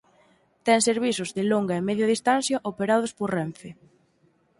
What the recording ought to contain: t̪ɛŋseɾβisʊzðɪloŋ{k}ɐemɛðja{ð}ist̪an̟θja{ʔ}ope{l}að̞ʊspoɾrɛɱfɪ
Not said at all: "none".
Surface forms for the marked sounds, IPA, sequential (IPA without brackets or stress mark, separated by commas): ɡ, ð, ʔ, ɾ